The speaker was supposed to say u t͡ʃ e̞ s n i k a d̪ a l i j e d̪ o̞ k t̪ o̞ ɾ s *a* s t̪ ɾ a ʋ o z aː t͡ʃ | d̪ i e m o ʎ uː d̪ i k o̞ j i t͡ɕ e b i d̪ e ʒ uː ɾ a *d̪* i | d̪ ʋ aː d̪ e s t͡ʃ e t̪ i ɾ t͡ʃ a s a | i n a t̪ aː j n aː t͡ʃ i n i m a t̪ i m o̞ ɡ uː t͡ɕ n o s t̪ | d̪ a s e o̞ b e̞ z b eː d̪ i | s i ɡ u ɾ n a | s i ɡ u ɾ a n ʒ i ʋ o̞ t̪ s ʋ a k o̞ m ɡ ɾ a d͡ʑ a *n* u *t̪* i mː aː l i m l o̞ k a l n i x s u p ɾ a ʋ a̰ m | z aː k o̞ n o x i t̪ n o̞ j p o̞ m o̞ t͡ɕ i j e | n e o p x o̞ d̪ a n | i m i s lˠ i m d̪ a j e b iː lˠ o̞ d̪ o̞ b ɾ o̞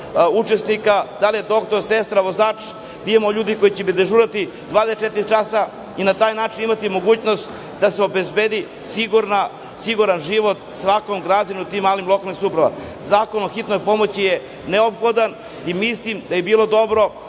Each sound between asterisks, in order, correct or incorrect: incorrect, incorrect, correct, correct

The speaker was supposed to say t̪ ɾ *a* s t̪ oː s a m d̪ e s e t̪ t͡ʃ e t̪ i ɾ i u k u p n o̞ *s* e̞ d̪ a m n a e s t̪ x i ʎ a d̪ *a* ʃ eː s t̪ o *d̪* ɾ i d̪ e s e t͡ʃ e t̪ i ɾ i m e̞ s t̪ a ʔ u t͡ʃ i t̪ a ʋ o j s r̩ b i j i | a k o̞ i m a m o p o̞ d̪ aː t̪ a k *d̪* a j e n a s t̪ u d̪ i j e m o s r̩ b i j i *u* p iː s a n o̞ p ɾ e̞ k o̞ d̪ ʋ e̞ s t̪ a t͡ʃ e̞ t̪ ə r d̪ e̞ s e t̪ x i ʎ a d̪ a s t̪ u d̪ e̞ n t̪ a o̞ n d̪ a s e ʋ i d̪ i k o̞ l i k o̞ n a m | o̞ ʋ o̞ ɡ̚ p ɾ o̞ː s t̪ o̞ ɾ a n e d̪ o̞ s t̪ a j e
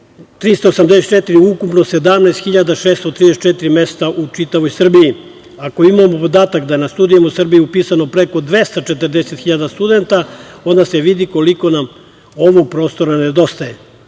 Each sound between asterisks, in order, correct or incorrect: incorrect, correct, correct, incorrect, correct, correct

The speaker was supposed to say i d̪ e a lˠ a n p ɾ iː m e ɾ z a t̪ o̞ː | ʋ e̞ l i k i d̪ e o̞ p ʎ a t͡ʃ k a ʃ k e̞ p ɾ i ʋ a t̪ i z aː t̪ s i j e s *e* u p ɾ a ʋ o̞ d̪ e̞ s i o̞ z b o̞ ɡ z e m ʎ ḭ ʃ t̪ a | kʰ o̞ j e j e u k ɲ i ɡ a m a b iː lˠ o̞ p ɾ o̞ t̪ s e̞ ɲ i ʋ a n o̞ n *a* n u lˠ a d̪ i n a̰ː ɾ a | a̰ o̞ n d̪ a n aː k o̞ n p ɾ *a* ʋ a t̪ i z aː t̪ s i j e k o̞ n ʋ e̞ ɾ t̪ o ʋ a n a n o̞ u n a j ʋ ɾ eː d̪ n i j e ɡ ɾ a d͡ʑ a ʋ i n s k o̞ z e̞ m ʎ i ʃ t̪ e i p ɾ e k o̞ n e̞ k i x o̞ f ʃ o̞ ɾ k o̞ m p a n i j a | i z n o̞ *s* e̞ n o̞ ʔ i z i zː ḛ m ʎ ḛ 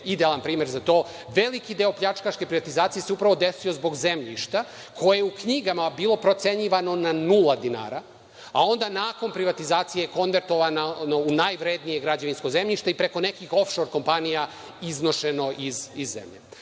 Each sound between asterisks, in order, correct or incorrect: correct, correct, incorrect, incorrect

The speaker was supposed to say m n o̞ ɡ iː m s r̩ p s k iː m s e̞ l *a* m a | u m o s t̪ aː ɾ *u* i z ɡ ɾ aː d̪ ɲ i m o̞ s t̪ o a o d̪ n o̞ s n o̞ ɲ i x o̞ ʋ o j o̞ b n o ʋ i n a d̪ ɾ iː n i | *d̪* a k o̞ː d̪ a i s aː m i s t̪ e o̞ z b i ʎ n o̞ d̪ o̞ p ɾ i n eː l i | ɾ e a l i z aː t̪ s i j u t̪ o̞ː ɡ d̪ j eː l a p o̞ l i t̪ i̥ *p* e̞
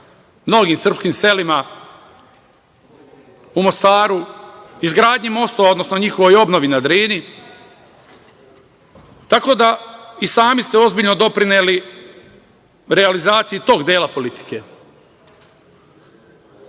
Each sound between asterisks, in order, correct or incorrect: incorrect, correct, incorrect, incorrect

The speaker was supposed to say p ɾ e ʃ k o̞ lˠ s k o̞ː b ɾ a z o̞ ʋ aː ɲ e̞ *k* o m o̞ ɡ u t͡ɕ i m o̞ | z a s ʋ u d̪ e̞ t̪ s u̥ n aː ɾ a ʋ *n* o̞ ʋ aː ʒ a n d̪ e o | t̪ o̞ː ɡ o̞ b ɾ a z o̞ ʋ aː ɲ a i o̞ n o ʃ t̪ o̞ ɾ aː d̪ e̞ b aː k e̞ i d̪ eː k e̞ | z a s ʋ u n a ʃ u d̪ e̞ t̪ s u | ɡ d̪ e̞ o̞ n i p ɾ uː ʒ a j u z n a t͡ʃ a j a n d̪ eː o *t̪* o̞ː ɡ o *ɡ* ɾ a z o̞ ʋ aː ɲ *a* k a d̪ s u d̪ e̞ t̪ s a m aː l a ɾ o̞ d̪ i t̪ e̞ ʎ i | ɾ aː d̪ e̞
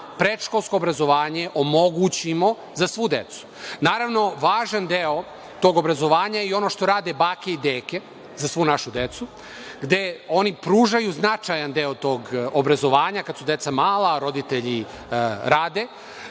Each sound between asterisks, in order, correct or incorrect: incorrect, correct, correct, incorrect, correct

